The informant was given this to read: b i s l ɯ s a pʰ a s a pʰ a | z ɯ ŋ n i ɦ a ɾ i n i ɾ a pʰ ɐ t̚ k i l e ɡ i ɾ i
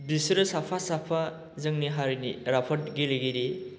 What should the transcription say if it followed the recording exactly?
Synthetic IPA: b i s ɾ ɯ s a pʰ a s a pʰ a | z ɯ ŋ n i ɦ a ɾ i n i ɾ a pʰ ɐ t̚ ɡ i l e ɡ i ɾ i